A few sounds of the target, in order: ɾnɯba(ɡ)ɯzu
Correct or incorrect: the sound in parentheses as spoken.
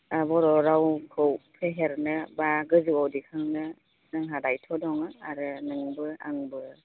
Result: correct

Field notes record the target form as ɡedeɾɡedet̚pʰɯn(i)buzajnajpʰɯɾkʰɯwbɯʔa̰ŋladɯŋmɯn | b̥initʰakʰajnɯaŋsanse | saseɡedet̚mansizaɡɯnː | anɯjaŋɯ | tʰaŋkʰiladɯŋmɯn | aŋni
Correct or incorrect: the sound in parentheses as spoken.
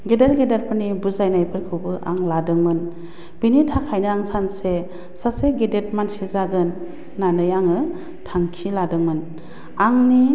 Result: correct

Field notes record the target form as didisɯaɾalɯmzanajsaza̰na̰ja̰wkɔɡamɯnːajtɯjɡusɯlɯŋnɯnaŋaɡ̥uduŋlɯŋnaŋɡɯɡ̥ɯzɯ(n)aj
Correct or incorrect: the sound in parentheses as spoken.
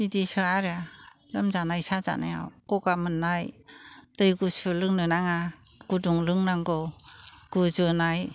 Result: correct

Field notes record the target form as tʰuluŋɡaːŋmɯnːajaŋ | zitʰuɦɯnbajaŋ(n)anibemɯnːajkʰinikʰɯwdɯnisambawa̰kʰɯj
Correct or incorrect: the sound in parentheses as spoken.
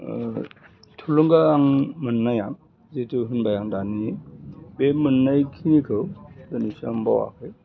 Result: incorrect: d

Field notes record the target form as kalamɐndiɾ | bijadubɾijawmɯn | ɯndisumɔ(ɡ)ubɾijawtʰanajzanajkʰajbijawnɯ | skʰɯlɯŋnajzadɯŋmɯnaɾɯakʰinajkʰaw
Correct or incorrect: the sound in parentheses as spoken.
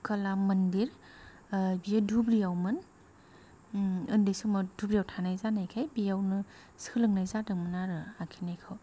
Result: incorrect: d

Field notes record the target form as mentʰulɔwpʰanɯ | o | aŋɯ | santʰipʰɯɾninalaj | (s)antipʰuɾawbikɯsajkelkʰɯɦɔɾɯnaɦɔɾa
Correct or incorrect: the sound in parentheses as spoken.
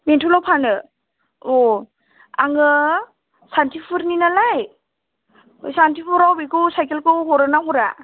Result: correct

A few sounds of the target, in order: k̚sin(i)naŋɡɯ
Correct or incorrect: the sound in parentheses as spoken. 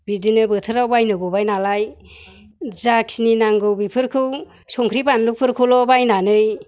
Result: correct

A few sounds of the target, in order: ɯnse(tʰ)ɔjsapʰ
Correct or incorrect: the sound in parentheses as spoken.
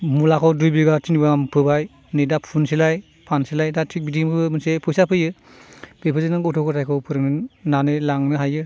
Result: incorrect: pʰ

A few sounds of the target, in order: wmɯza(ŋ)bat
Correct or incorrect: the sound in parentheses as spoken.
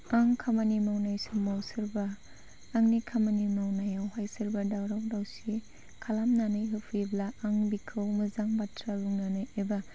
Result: correct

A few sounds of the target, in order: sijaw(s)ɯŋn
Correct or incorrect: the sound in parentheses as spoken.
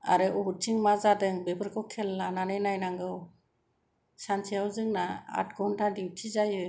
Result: incorrect: z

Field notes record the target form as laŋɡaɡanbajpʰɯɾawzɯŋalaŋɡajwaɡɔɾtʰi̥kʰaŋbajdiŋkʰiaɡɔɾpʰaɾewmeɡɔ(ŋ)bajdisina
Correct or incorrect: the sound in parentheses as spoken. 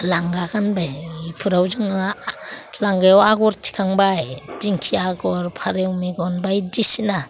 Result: incorrect: n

